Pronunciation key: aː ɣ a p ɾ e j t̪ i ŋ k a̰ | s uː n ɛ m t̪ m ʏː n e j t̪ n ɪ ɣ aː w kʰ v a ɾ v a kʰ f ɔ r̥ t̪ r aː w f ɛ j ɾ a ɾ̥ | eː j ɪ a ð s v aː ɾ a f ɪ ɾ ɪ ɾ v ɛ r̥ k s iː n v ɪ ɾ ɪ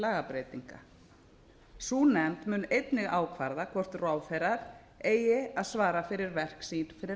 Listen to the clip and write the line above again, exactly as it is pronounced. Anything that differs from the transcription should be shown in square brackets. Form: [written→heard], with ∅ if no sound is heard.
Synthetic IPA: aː ɣ a p ɾ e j t̪ i ŋ k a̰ | s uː n ɛ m t̪ m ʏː n e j t̪ n ɪ ɣ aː w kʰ v a ɾ [v→ð] a kʰ [f→v] ɔ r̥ t̪ r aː w f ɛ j ɾ a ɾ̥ | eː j ɪ a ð s v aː ɾ a f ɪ ɾ ɪ ɾ v ɛ r̥ k s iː n [v→f] ɪ ɾ ɪ